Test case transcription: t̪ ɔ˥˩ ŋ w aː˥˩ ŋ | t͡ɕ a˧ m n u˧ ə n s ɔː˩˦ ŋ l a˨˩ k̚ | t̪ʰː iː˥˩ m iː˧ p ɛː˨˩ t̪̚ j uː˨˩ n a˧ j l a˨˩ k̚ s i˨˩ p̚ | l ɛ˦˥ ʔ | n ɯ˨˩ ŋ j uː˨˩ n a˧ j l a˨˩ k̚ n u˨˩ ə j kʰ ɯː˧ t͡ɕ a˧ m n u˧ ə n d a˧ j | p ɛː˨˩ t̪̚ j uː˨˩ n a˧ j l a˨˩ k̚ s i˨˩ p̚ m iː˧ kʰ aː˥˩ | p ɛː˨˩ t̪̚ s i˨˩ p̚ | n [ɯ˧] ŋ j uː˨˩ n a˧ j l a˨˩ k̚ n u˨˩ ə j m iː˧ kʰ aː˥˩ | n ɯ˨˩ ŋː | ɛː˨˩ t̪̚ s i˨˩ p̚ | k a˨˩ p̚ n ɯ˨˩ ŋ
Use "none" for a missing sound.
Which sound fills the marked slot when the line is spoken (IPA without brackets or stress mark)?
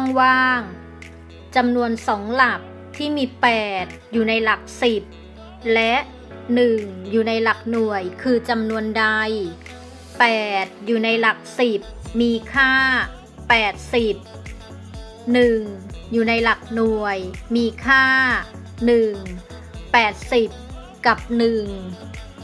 ɯ˨˩